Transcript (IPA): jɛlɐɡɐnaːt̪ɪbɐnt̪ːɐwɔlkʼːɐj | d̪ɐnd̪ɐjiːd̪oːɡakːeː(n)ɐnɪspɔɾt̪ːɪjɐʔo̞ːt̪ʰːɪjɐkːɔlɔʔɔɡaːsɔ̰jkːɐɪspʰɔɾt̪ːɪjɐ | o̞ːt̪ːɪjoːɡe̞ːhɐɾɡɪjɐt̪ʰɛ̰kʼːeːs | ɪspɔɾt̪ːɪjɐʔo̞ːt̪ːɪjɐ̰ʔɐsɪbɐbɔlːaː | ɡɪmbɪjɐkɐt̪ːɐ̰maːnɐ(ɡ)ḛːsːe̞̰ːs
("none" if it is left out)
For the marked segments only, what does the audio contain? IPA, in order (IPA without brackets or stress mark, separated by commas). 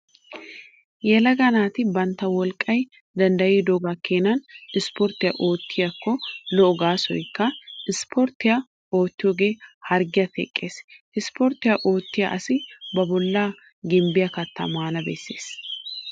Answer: n, b